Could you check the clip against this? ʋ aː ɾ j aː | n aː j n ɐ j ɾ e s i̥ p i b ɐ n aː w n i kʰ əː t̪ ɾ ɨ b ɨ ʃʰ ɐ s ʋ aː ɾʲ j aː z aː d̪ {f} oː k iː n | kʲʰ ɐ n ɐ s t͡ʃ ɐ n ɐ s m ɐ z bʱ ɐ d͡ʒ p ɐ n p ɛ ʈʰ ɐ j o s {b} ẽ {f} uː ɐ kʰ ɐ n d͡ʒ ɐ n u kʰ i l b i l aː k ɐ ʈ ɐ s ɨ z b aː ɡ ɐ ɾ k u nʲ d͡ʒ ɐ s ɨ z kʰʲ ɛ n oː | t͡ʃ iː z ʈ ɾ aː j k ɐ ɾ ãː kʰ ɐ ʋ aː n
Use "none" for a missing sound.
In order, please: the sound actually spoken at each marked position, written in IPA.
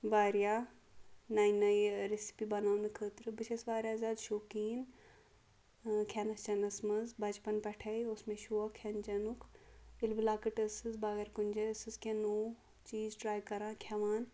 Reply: ʃ, m, ʃ

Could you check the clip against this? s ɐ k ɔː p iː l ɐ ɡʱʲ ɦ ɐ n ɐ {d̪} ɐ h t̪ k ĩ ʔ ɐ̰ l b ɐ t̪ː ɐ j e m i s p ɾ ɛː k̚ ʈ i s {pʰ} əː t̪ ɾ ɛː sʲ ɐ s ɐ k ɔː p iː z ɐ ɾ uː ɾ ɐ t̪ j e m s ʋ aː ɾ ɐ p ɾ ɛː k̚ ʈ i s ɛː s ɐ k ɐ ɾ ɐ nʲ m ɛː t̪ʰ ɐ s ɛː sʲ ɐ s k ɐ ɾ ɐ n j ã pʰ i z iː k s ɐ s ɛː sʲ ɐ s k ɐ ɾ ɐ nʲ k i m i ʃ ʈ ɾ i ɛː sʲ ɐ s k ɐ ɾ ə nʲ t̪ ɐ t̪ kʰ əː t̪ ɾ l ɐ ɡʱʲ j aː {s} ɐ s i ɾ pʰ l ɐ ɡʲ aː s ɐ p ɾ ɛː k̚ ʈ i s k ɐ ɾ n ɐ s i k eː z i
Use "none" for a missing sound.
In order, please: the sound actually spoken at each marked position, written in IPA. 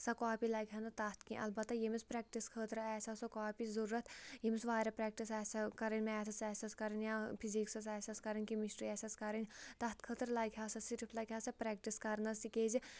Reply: t̪, kʰ, s

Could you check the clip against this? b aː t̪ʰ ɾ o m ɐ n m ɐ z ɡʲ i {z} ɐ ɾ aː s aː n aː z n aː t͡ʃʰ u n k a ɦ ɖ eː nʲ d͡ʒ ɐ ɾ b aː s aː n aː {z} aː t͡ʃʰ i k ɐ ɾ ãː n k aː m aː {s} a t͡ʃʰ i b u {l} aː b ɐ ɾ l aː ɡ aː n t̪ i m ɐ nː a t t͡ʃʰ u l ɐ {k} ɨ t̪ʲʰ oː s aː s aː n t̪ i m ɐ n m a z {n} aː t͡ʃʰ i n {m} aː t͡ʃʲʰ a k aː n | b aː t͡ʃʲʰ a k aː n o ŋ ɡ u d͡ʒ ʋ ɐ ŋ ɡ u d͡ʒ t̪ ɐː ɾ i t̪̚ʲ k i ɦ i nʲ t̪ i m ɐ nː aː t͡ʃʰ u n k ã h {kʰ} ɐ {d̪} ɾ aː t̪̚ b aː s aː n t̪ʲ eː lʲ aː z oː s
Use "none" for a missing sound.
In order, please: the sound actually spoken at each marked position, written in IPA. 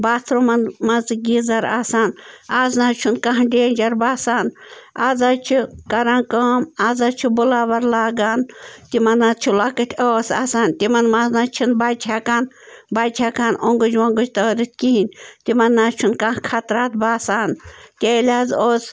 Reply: z, z, z, l, k, n, b, kʰ, t̪

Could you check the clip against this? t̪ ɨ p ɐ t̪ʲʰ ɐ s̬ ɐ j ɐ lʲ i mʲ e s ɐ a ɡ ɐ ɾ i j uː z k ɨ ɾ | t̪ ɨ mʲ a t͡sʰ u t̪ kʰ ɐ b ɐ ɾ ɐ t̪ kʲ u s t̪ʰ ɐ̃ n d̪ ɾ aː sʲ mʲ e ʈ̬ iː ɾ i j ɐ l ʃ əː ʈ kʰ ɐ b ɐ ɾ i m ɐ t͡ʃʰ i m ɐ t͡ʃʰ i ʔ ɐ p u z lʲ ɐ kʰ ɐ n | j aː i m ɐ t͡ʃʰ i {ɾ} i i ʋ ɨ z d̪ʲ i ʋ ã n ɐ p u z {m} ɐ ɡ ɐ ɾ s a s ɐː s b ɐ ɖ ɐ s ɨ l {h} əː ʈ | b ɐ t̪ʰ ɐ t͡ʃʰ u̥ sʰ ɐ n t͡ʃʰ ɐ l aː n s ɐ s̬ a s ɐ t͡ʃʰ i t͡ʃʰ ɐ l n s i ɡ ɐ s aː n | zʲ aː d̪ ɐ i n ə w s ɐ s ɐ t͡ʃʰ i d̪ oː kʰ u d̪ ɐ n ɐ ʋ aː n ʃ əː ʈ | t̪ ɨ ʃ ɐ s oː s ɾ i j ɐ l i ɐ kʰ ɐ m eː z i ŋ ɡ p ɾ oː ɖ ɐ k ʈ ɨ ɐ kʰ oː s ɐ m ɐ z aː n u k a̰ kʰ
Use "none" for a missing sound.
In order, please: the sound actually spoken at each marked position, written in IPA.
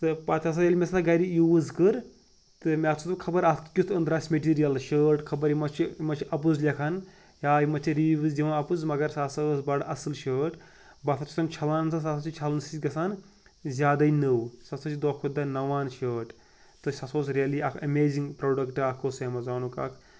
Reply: ɾ, m, ʃ

